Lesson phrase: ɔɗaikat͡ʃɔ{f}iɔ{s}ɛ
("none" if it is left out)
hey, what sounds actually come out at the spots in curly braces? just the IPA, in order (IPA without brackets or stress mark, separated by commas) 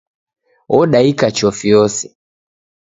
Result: f, s